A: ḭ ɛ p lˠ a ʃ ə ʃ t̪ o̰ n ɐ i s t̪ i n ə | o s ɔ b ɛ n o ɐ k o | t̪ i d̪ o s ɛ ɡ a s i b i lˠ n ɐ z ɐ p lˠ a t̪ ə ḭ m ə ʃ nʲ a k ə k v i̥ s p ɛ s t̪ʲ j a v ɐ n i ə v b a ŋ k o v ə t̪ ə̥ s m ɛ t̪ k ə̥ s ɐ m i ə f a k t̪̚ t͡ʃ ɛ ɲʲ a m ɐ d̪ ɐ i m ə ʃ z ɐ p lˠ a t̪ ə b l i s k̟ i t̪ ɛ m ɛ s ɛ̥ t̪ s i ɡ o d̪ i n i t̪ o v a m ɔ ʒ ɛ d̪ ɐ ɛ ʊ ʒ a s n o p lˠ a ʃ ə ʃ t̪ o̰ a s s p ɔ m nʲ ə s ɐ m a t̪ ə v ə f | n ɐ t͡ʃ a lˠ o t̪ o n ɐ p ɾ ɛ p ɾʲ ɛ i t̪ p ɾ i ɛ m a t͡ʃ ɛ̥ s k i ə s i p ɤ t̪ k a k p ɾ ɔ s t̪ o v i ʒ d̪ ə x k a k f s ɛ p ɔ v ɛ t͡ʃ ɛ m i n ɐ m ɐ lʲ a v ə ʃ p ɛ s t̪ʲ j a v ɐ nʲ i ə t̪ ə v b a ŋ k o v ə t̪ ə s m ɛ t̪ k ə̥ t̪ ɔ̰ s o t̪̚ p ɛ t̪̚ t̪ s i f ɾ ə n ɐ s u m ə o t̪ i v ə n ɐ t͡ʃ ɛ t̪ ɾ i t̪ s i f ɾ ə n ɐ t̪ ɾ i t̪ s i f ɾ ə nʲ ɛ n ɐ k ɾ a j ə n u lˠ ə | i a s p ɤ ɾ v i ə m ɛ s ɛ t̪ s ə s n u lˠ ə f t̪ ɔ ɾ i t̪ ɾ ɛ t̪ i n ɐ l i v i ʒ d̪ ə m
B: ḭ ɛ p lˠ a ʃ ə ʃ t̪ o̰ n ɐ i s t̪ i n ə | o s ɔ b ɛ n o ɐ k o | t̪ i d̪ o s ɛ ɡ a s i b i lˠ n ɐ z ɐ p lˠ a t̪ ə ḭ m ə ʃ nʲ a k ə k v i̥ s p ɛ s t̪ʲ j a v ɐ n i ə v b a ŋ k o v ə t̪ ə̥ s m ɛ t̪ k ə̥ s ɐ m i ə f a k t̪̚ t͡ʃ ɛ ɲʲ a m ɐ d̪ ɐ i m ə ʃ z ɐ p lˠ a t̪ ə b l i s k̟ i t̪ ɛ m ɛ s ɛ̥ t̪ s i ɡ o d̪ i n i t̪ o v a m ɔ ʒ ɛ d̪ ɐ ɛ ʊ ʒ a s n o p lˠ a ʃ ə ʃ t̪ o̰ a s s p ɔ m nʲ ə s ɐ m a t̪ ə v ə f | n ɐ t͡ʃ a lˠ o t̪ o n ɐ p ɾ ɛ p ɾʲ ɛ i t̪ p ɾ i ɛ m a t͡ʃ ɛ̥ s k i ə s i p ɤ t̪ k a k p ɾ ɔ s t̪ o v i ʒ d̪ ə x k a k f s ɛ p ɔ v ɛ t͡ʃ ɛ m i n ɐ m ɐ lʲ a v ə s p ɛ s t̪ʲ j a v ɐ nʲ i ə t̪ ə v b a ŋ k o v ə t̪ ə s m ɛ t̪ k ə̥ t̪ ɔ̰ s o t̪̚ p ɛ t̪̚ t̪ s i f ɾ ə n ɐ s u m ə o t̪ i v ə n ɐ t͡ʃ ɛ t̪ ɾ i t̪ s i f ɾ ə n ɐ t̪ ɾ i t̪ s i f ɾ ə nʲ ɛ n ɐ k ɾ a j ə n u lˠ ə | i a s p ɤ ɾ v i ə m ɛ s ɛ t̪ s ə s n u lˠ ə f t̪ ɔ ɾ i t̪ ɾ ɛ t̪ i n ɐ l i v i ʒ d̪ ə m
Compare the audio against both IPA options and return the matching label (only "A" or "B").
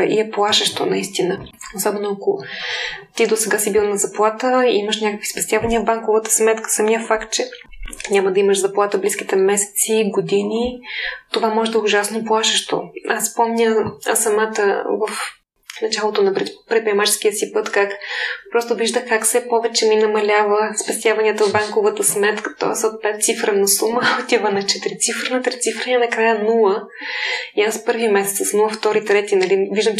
B